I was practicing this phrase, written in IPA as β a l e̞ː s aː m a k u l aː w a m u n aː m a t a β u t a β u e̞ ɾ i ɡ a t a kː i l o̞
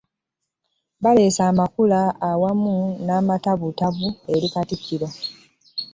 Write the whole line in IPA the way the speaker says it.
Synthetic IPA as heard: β a l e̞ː s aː m a k u l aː w a m u n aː m a t a β u t a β u e̞ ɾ i k a t i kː i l o̞